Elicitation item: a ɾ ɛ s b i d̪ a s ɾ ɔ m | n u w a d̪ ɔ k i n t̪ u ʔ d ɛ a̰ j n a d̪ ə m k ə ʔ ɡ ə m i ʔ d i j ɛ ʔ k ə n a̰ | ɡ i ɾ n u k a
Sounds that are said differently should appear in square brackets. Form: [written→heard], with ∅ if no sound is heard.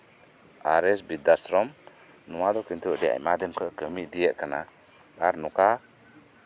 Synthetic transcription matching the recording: a ɾ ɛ s b i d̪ a s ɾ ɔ m | n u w a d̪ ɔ k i n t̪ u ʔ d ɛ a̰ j [n→m] a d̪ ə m k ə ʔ [ɡ→k] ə m i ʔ d i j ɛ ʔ k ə n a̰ | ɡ [i→a] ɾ n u k a